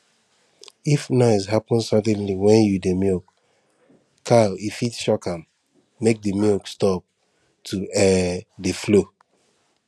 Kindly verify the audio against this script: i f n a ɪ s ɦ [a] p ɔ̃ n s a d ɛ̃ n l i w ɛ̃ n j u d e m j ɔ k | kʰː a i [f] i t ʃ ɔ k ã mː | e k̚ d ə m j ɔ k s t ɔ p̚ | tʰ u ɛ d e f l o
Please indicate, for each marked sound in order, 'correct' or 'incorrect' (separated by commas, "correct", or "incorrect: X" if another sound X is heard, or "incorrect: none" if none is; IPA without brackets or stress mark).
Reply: correct, correct